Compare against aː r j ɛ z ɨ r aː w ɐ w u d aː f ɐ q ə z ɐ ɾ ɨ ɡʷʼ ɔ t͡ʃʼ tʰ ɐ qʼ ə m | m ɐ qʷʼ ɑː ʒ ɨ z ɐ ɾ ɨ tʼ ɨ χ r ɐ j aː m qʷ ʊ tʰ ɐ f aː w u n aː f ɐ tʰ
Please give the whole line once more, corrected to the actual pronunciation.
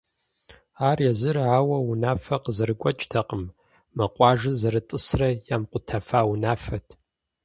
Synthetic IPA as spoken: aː r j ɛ z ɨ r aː w ɐ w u n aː f ɐ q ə z ɐ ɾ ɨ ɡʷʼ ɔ t͡ʃʼ tʰ ɐ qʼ ə m | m ɐ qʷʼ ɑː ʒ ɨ z ɐ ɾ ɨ tʼ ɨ s r ɐ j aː m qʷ ʊ tʰ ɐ f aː w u n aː f ɐ tʰ

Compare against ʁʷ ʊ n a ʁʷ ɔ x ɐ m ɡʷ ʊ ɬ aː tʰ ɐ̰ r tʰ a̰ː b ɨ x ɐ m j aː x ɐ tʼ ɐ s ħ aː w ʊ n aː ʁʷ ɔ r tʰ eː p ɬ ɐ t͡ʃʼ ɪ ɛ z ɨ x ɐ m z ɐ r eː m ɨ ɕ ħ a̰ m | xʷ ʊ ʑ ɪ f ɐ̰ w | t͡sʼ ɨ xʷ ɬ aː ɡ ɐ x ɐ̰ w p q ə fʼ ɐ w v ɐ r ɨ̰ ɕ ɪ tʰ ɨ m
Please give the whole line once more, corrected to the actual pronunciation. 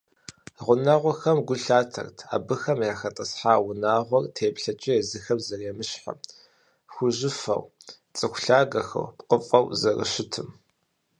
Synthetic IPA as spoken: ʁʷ ʊ n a ʁʷ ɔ x ɐ m ɡʷ ʊ ɬ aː tʰ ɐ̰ r tʰ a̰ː b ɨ x ɐ m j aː x ɐ tʼ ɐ s ħ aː w ʊ n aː ʁʷ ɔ r tʰ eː p ɬ ɐ t͡ʃʼ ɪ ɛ z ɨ x ɐ m z ɐ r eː m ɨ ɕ ħ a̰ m | xʷ ʊ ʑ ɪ f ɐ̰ w | t͡sʼ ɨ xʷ ɬ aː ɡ ɐ x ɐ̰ w p q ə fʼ ɐ w z ɐ r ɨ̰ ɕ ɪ tʰ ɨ m

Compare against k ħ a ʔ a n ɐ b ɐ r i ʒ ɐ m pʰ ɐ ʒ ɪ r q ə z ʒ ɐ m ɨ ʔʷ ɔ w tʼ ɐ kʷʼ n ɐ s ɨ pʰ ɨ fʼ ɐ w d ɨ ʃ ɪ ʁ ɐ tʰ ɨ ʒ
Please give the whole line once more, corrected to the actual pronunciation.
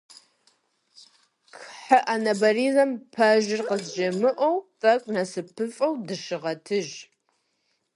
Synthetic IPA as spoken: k ħ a ʔ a n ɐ b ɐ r i z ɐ m pʰ ɐ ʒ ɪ r q ə z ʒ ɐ m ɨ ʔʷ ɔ w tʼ ɐ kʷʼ n ɐ s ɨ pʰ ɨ fʼ ɐ w d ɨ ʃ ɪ ʁ ɐ tʰ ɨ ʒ

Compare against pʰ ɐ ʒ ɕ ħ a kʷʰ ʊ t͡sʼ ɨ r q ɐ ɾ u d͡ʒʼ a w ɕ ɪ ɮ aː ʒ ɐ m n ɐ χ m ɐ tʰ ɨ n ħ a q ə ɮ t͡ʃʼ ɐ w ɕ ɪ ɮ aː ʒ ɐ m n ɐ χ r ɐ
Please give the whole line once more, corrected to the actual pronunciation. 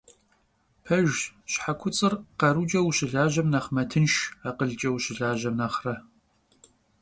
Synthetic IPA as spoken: pʰ ɐ ʒ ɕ ħ a kʷʰ ʊ t͡sʼ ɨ r q ɐ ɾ u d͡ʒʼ ɐ w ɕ ɪ ɮ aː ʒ ɐ m n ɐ χ m ɐ tʰ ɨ n ʃ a q ə ɮ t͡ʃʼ ɐ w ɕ ɪ ɮ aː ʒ ɐ m n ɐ χ r ɐ

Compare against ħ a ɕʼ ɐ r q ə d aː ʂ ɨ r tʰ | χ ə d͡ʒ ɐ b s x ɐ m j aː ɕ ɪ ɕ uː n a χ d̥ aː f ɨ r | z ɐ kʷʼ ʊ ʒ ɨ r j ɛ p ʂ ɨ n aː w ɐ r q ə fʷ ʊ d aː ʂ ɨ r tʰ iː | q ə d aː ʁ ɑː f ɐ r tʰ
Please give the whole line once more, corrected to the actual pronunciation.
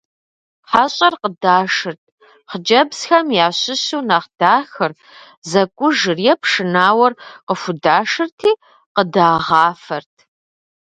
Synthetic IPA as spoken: ħ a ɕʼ ɐ r q ə d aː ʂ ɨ r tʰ | χ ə d͡ʒ ɐ b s x ɐ m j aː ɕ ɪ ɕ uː n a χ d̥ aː x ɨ r | z ɐ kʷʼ ʊ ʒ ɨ r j ɛ p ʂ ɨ n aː w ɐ r q ə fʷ ʊ d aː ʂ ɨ r tʰ iː | q ə d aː ʁ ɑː f ɐ r tʰ

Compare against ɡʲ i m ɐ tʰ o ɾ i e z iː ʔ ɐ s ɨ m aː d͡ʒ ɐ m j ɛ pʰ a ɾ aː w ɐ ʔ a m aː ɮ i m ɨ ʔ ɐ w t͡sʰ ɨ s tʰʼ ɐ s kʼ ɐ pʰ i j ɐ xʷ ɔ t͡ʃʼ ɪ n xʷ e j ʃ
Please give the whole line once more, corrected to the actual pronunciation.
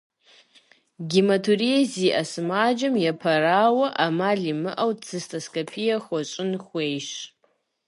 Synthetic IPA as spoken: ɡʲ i m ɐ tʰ u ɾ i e z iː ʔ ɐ s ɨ m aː d͡ʒ ɐ m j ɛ pʰ ɐ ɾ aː w ɐ ʔ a m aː ɮ i m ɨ ʔ ɐ w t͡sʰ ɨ s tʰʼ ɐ s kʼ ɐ pʰ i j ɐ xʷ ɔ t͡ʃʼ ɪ n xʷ e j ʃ

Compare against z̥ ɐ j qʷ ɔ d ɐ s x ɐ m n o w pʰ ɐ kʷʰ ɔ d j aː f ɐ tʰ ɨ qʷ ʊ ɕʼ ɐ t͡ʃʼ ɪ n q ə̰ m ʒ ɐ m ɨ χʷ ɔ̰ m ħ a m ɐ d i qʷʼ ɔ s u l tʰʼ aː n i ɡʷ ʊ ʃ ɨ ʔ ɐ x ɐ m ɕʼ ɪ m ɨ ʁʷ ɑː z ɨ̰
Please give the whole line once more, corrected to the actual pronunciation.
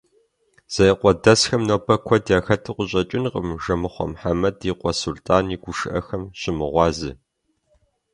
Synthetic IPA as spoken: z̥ ɐ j qʷ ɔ d ɐ s x ɐ m n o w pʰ ɐ kʷʰ ɔ d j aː x ɐ tʰ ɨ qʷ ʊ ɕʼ ɐ t͡ʃʼ ɪ n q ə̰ m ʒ ɐ m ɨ χʷ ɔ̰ m ħ a m ɐ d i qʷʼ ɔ s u l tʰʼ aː n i ɡʷ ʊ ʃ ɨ ʔ ɐ x ɐ m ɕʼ ɪ m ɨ ʁʷ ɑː z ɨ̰

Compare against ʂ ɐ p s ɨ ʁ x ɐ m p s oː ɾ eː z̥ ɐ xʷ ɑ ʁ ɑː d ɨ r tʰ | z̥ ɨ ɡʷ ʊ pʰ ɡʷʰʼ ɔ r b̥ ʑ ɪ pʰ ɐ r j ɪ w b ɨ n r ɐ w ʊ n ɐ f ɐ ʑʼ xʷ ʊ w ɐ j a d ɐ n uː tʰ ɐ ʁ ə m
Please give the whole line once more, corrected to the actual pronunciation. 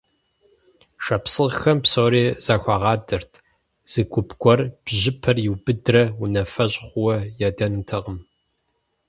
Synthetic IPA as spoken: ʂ ɐ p s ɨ ʁ x ɐ m p s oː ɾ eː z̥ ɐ xʷ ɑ ʁ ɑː d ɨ r tʰ | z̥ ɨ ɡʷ ʊ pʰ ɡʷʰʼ ɔ r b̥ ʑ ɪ pʰ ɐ r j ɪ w b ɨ d r ɐ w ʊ n ɐ f ɐ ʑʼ χʷ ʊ w ɐ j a d ɐ n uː tʰ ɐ ʁ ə m

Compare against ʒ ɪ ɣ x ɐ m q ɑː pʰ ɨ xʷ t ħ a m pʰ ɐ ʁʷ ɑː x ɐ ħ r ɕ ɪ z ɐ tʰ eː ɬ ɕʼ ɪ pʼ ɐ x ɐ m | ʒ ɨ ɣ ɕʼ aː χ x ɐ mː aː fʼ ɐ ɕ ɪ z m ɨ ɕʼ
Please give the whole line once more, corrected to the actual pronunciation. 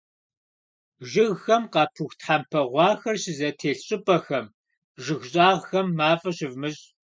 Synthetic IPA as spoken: ʒ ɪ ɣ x ɐ m q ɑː pʰ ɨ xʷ t ħ a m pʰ ɐ ʁʷ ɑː x ɐ r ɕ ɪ z ɐ tʰ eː ɬ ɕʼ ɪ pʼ ɐ x ɐ m | ʒ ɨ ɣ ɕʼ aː ʁ x ɐ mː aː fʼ ɐ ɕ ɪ v m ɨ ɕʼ

